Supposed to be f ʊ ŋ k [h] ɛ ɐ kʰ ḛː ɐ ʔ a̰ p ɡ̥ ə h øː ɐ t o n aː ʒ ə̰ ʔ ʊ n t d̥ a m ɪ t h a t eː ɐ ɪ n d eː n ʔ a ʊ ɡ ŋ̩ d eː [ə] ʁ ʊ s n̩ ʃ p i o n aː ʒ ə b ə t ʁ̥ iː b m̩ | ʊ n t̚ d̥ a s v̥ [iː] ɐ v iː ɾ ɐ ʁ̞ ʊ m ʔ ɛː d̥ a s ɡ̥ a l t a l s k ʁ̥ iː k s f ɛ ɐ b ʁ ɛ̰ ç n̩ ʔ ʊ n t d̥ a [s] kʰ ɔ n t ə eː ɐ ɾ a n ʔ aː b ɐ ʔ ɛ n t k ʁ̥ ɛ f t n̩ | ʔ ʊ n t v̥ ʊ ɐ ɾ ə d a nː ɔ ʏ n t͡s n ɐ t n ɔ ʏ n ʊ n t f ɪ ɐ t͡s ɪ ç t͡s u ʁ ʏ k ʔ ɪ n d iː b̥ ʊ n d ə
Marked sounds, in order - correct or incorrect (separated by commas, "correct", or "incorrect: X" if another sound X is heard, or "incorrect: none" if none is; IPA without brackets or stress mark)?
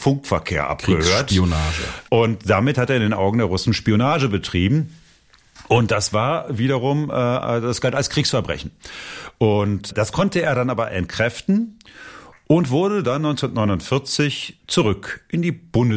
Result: incorrect: f, incorrect: ɐ, incorrect: aː, correct